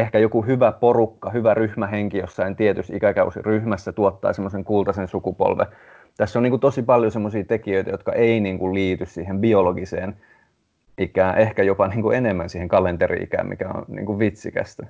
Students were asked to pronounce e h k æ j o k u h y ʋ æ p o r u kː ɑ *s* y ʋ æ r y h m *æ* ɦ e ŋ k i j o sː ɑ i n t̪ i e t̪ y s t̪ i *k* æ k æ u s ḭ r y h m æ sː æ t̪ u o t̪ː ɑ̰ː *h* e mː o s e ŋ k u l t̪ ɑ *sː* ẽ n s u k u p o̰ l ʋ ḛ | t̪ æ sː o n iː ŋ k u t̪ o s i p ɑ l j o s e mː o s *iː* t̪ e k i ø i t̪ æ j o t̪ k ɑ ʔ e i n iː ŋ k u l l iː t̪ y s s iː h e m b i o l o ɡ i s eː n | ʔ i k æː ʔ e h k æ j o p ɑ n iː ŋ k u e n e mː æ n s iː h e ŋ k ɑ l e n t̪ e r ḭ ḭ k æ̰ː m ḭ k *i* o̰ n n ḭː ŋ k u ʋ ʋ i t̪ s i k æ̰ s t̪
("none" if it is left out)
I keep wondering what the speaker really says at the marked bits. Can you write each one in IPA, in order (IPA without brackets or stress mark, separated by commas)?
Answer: h, æ, k, s, s, iː, æ